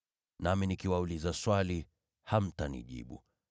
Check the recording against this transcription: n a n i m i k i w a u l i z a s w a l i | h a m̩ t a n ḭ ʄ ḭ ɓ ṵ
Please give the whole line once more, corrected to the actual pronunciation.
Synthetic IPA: n a m i n i k i w a u l i z a s w a l i | h a m̩ t a n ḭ ʄ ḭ ɓ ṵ